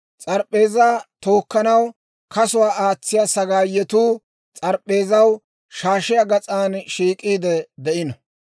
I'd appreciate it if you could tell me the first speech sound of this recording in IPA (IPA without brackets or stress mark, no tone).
t͡sʼ